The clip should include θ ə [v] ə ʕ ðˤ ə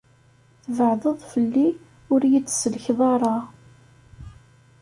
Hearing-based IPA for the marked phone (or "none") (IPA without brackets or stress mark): v